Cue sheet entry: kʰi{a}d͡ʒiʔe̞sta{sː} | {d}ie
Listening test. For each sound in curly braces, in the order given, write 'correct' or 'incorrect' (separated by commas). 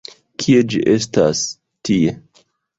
incorrect, incorrect, incorrect